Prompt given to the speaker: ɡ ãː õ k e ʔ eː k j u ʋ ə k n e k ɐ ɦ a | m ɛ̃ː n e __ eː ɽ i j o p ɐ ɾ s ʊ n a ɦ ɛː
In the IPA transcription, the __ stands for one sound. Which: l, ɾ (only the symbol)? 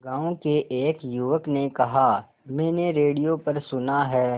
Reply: ɾ